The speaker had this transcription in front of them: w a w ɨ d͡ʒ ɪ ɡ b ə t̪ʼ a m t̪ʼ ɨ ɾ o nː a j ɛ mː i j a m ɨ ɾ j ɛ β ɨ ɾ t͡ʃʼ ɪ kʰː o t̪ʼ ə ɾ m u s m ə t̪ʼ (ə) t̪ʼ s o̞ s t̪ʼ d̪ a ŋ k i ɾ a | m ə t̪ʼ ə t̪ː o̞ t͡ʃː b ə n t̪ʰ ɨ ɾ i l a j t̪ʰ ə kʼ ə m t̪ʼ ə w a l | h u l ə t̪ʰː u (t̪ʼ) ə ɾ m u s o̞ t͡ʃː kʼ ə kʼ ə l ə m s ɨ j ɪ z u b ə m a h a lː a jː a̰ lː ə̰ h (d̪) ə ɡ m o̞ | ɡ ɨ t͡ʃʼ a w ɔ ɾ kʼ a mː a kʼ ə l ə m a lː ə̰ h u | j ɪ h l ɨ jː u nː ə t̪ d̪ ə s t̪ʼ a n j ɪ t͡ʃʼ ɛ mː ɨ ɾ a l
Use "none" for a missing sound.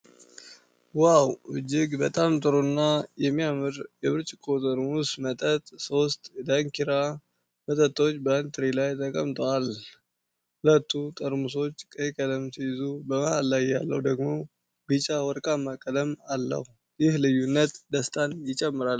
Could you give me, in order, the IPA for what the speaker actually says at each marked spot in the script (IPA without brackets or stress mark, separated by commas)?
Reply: ə, t̪ʼ, d̪